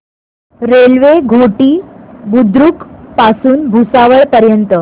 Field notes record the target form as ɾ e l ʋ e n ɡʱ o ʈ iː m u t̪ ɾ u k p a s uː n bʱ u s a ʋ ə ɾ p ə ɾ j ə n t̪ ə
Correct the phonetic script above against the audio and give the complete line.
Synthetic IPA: ɾ e l ʋ e ɡʱ o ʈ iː b u d̪ ɾ u k p a s uː n bʱ u s a ʋ ə ɭ p ə ɾ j ə n t̪ ə

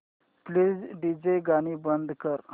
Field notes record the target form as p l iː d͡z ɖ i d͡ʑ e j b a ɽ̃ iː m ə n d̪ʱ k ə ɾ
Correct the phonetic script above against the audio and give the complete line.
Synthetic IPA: p l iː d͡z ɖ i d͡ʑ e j ɡ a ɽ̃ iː b ə n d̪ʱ k ə ɾ

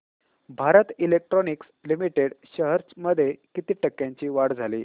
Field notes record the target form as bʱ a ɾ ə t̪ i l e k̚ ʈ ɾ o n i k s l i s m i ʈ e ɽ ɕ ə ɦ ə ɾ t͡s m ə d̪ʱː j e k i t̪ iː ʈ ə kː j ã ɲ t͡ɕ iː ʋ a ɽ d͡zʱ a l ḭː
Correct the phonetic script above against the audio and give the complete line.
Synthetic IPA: bʱ a ɾ ə t̪ i l e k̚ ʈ ɾ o n i k s l i m i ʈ e ɽ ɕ ə ɦ ə ɾ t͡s m ə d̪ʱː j e k i t̪ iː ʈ ə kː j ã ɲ t͡ɕ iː ʋ a ɽ d͡zʱ a l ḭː

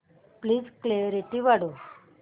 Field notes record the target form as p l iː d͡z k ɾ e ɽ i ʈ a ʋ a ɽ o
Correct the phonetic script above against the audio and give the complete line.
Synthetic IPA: p l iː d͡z k l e ɾ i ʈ i ʋ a ɽ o

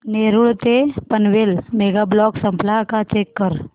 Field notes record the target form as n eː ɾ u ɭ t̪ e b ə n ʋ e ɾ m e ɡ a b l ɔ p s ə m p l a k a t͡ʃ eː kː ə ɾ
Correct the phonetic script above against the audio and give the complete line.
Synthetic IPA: n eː ɾ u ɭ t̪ e p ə n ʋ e l m e ɡ a b l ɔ k s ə m p l a k a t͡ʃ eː kː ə ɾ

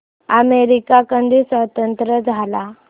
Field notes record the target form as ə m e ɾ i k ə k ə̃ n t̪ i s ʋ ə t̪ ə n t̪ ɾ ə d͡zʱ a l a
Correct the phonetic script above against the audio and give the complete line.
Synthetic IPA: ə m e ɾ i k a k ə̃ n d̪ i s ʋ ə t̪ ə n t̪ ɾ ə d͡zʱ a l a

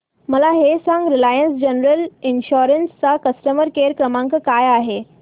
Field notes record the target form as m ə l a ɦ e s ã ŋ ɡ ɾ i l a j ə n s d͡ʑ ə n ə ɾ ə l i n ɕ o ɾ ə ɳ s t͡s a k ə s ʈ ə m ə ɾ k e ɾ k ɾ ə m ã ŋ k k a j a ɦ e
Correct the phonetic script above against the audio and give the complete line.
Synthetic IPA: m ə l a ɦ e s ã ŋ ɡ ɾ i l a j ə n s d͡ʑ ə n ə ɾ ə l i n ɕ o ɾ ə n s t͡s a k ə s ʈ ə m ə ɾ k e ɾ k ɾ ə m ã ŋ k k a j a ɦ e

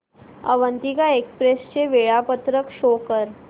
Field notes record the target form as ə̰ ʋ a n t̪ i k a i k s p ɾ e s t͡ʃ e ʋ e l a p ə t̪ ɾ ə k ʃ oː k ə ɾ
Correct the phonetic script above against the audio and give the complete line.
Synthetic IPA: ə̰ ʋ ə n t̪ i k a e k s p ɾ e s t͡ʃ e ʋ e ɭ a p ə t̪ ɾ ə k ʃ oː k ə ɾ

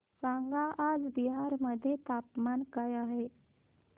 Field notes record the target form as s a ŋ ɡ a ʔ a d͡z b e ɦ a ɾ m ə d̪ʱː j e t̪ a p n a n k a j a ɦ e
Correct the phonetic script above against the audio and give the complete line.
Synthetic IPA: s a ŋ ɡ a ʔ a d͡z b i ɦ a ɾ m ə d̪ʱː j e t̪ a p m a n k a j a ɦ e

